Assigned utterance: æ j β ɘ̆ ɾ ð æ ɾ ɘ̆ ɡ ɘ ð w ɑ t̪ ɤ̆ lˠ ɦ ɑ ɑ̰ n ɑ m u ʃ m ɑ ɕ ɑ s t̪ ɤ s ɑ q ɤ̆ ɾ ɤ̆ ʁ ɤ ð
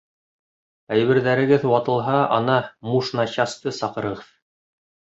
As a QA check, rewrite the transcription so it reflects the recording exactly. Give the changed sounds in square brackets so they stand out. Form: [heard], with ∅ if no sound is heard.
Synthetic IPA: æ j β ɘ̆ ɾ ð æ ɾ ɘ̆ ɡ ɘ ð w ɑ t̪ ɤ̆ lˠ ɦ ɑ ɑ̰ n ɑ m u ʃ [n] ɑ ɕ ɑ s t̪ ɤ s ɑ q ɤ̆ ɾ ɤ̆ ʁ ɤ ð